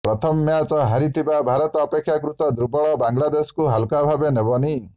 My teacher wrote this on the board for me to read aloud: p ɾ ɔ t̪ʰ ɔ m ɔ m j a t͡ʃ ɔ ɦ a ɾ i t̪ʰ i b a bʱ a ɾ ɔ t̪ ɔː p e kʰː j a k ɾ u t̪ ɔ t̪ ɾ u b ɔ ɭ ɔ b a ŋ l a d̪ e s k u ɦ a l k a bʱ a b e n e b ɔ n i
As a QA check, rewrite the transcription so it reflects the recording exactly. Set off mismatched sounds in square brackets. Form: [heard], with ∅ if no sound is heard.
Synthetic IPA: p ɾ ɔ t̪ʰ ɔ m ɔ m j a t͡ʃ ɔ ɦ a ɾ i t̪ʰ i b a bʱ a ɾ ɔ t̪ ɔː p e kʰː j a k ɾ u t̪ ɔ [d̪] ɾ u b ɔ ɭ ɔ b a ŋ l a d̪ e s k u ɦ a l k a bʱ a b e n e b ɔ n i

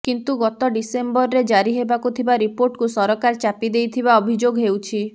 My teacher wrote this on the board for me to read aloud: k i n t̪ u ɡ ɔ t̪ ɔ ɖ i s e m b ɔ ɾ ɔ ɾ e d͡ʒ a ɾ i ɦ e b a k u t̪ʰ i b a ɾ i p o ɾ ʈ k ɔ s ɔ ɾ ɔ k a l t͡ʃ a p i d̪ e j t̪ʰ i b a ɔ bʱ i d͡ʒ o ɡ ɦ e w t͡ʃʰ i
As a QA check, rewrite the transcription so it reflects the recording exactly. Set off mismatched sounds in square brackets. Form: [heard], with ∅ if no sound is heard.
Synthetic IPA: k i n t̪ u ɡ ɔ t̪ ɔ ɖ i s e m b ɔ ɾ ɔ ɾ e d͡ʒ a ɾ i ɦ e b a k u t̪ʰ i b a ɾ i p o ɾ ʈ k [u] s ɔ ɾ ɔ k a [ɾ] t͡ʃ a p i d̪ e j t̪ʰ i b a ɔ bʱ i d͡ʒ o ɡ ɦ e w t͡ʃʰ i

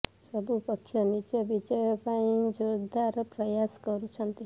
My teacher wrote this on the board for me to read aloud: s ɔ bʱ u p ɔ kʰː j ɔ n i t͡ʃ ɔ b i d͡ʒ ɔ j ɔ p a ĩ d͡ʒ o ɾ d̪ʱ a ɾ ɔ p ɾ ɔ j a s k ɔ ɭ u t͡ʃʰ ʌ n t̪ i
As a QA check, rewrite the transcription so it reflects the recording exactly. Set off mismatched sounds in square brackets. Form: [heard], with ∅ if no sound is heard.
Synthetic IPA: s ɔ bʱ u p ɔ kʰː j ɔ n i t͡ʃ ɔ b i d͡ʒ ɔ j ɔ p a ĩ d͡ʒ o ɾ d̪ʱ a ɾ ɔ p ɾ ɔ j a s k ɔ [ɾ] u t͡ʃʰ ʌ n t̪ i

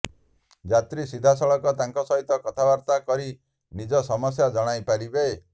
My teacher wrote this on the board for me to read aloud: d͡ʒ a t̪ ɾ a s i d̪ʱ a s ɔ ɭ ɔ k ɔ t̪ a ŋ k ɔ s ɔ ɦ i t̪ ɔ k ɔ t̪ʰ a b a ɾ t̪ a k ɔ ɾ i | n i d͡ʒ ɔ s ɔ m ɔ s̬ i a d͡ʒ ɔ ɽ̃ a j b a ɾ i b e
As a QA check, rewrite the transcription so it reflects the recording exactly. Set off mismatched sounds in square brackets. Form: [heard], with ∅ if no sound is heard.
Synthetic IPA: d͡ʒ a t̪ ɾ [i] s i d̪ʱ a s ɔ ɭ ɔ k ɔ t̪ a ŋ k ɔ s ɔ ɦ i t̪ ɔ k ɔ t̪ʰ a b a ɾ t̪ a k ɔ ɾ i | n i d͡ʒ ɔ s ɔ m ɔ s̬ [j] a d͡ʒ ɔ ɽ̃ a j [p] a ɾ i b e

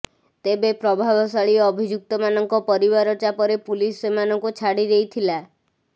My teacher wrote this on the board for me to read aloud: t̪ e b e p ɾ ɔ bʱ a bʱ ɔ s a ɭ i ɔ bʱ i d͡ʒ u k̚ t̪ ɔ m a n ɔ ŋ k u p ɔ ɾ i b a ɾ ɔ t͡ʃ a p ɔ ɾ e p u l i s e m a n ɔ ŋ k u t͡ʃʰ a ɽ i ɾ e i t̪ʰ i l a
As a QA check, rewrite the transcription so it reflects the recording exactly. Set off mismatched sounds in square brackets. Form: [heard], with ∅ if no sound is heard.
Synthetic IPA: t̪ e b e p ɾ ɔ bʱ a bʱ ɔ s a ɭ i ɔ bʱ i d͡ʒ u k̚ t̪ ɔ m a n ɔ ŋ k [ɔ] p ɔ ɾ i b a ɾ ɔ t͡ʃ a p ɔ ɾ e p u l i s e m a n ɔ ŋ k u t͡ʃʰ a ɽ i ɾ e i t̪ʰ i l a

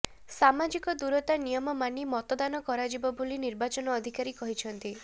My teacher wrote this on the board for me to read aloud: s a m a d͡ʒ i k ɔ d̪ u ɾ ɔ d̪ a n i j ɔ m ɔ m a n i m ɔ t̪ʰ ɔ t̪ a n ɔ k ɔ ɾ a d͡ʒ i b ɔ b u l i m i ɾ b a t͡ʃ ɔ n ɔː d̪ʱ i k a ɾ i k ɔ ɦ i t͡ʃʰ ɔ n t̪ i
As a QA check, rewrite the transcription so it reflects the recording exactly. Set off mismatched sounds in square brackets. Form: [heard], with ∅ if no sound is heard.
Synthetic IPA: s a m a d͡ʒ i k ɔ d̪ u ɾ ɔ [t̪] a n i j ɔ m ɔ m a n i m ɔ [t̪] ɔ [d̪] a n ɔ k ɔ ɾ a d͡ʒ i b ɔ b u l i [n] i ɾ b a t͡ʃ ɔ n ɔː d̪ʱ i k a ɾ i k ɔ ɦ i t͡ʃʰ ɔ n t̪ i

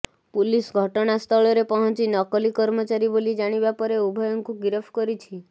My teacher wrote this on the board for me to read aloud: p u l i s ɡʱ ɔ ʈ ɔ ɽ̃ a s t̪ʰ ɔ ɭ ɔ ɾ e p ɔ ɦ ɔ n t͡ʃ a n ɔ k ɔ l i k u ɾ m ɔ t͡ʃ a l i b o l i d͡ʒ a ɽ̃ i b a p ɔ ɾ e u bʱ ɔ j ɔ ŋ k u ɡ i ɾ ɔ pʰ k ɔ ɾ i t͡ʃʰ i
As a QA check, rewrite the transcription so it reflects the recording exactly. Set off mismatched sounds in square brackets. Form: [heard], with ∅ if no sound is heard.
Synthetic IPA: p u l i s ɡʱ ɔ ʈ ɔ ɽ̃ a s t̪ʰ ɔ ɭ ɔ ɾ e p ɔ ɦ ɔ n t͡ʃ [i] n ɔ k ɔ l i k [ɔ] ɾ m ɔ t͡ʃ a [ɾ] i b o l i d͡ʒ a ɽ̃ i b a p ɔ ɾ e u bʱ ɔ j ɔ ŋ k u ɡ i ɾ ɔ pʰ k ɔ ɾ i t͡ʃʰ i

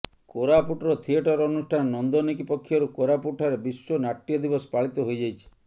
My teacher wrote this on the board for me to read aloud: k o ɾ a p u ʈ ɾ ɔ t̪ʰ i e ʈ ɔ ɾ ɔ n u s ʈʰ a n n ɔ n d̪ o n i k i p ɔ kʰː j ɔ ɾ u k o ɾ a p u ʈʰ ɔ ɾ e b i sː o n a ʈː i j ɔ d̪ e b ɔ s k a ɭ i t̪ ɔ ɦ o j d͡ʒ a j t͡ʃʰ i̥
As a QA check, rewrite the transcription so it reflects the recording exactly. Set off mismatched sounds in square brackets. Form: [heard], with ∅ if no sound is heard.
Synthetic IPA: k o ɾ a p u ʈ ɾ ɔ t̪ʰ i e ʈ ɔ ɾ ɔ n u s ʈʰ a n n ɔ n d̪ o n i k i p ɔ kʰː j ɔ ɾ u k o ɾ a p u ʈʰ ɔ ɾ e b i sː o n a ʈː i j ɔ d̪ [i] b ɔ s [p] a ɭ i t̪ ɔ ɦ o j d͡ʒ a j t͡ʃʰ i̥

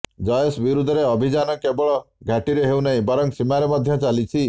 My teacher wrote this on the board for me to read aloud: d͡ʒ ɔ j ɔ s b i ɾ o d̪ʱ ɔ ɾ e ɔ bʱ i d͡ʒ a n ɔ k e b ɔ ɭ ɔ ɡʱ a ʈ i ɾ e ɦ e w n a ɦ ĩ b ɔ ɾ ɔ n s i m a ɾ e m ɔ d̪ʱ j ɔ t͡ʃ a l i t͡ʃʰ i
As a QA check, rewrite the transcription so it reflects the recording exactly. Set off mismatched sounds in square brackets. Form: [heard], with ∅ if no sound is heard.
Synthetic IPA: d͡ʒ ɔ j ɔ s b i ɾ [u] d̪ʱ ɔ ɾ e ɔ bʱ i d͡ʒ a n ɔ k e b ɔ ɭ ɔ ɡʱ a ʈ i ɾ e ɦ e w n a ɦ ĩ b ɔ ɾ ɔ [ŋ] s i m a ɾ e m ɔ d̪ʱ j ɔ t͡ʃ a l i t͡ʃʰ i

